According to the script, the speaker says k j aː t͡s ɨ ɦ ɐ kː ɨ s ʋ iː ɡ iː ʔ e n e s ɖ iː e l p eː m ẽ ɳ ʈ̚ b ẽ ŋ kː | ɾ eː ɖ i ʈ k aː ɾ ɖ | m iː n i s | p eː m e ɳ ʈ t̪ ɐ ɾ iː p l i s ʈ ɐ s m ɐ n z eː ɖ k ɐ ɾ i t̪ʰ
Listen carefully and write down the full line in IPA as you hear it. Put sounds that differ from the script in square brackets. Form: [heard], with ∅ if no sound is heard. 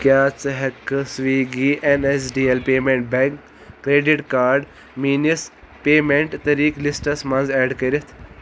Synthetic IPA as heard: k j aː t͡s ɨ ɦ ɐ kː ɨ s ʋ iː ɡ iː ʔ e n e s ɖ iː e l p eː m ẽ ɳ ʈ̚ b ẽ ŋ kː | ɾ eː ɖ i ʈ k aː ɾ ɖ | m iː n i s | p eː m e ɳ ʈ t̪ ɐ ɾ iː [k] l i s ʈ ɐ s m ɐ n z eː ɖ k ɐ ɾ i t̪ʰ